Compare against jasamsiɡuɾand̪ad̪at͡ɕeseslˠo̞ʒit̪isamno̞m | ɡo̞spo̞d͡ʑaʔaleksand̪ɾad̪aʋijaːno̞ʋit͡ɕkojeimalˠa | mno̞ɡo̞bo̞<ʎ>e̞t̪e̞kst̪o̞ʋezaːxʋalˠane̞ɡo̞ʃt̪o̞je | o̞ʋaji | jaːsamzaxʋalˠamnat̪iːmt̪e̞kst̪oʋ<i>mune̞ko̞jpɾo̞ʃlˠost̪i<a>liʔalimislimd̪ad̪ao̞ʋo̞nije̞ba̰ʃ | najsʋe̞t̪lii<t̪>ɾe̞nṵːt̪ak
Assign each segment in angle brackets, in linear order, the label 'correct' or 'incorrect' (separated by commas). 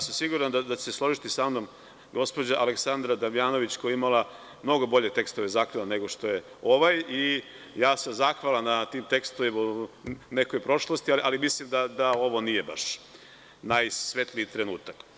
correct, correct, correct, correct